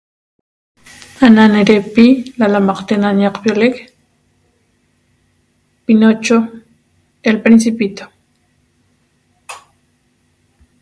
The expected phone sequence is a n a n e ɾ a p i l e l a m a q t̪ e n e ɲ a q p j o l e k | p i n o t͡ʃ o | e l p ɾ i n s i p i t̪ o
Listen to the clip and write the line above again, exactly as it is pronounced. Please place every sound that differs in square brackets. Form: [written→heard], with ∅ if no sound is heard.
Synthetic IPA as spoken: a n a n e ɾ [a→e] p i l [e→a] l a m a q t̪ e n [e→a] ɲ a q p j o l e k | p i n o t͡ʃ o | e l p ɾ i n s i p i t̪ o